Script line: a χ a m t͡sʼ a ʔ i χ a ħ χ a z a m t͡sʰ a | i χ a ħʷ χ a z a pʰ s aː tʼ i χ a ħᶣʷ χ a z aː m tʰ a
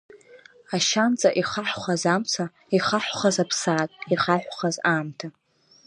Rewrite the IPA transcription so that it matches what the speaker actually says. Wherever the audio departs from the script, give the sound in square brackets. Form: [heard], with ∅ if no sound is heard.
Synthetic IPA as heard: a [ʃ] a [n] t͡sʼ a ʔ i χ a ħ χ a z a m t͡sʰ a | i χ a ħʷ χ a z a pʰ s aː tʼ i χ a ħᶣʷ χ a z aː m tʰ a